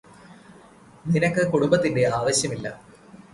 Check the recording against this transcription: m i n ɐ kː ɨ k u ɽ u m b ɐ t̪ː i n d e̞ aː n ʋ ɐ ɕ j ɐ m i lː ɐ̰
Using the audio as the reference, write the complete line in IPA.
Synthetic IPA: n i n ɐ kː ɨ k u ɽ u m b ɐ t̪ː i n d e̞ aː ʋ ɐ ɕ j ɐ m i lː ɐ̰